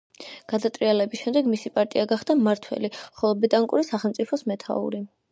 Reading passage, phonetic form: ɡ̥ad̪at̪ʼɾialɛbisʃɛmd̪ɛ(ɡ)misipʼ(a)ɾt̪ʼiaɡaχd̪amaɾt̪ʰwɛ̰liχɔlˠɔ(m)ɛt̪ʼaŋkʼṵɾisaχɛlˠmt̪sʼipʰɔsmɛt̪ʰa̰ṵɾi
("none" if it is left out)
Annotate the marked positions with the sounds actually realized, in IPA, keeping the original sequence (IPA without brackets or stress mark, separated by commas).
ɡ, a, b